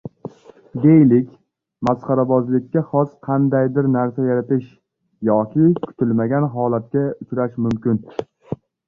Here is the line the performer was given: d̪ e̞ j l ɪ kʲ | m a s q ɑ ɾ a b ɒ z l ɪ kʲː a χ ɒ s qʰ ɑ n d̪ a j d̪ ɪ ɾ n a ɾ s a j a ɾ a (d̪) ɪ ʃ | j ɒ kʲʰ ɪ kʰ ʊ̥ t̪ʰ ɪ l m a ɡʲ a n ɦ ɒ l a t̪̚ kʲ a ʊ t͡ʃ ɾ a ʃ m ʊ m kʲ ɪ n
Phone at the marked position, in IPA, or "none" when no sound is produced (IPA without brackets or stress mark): t̪